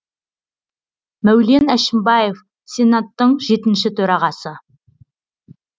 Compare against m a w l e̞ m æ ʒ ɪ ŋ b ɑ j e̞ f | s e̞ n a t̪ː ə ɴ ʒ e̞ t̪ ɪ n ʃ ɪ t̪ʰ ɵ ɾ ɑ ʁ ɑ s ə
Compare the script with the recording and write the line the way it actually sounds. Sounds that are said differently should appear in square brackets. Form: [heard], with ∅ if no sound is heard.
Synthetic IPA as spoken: m [æ] w l e̞ [n] æ [ʃ] ɪ [m] b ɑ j e̞ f | s e̞ n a t̪ː ə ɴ ʒ e̞ t̪ ɪ n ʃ ɪ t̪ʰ ɵ ɾ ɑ ʁ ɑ s ə